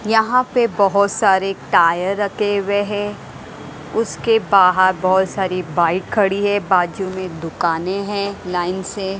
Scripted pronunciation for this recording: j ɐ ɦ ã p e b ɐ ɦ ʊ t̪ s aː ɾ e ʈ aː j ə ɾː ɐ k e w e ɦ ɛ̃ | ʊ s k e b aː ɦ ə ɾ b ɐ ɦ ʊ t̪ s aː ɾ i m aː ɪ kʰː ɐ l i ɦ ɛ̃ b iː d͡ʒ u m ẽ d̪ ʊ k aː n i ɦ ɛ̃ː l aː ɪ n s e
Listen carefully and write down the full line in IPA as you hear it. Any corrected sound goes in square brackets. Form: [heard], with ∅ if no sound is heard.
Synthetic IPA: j ɐ ɦ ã p e b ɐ ɦ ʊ t̪ s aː ɾ e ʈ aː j ə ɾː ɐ k e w e ɦ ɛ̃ | ʊ s k e b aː ɦ ə ɾ b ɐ ɦ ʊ t̪ s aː ɾ i [b] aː ɪ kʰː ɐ [ɽ] i ɦ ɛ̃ b [aː] d͡ʒ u m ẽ d̪ ʊ k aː n [e] ɦ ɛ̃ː l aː ɪ n s e